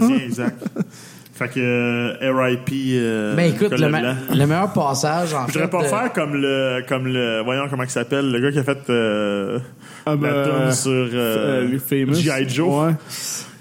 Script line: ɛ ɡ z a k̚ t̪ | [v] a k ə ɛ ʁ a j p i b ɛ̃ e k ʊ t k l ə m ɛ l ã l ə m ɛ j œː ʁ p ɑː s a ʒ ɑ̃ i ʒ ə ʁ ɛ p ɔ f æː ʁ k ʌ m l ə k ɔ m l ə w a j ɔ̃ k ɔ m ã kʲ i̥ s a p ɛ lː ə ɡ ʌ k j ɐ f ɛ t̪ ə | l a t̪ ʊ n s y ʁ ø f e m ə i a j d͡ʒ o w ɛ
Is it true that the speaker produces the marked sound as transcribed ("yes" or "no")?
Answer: no